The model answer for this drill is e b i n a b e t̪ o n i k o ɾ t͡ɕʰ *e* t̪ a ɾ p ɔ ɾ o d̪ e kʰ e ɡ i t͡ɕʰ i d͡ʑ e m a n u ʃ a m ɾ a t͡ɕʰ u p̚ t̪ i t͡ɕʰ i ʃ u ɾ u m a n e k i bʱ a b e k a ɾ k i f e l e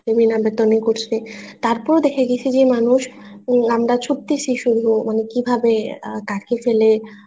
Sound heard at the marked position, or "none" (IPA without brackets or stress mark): e